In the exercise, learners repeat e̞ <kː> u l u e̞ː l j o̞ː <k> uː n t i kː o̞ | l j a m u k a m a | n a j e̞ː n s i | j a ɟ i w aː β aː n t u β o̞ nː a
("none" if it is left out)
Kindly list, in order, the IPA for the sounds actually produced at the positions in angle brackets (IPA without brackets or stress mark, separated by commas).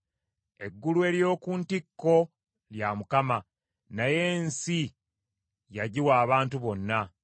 ɡː, k